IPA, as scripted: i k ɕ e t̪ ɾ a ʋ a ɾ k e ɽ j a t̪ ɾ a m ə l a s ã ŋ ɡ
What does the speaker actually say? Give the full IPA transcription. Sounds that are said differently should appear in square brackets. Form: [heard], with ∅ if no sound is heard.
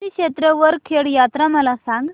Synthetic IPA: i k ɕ e t̪ ɾ [ə] ʋ [ə] ɾ [kʰ] e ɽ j a t̪ ɾ a m ə l a s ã ŋ ɡ